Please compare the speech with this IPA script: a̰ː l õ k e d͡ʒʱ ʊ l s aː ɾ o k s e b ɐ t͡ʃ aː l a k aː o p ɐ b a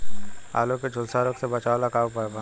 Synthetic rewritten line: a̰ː l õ k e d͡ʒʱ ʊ l s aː ɾ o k s e b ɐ t͡ʃ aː l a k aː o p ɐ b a